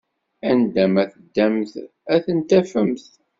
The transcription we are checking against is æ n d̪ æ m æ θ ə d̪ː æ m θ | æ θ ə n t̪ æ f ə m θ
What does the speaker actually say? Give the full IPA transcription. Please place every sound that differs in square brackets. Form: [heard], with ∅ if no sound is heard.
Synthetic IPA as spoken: æ n d̪ æ m æ θ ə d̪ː æ m θ | æ θ ə n t̪ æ f ə m θ